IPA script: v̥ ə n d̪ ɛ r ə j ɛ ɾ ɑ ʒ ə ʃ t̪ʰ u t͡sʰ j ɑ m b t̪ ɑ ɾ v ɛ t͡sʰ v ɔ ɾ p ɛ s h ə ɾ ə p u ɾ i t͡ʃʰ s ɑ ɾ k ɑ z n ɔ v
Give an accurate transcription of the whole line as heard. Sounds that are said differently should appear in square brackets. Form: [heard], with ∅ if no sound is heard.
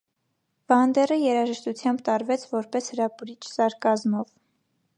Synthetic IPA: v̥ [ɑ] n d̪ ɛ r ə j ɛ ɾ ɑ ʒ ə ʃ [t̪] u t͡sʰ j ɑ m b t̪ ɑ ɾ v ɛ t͡sʰ v ɔ ɾ p ɛ s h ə ɾ [ɑ] p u ɾ i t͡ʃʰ s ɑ ɾ k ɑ z [m] ɔ v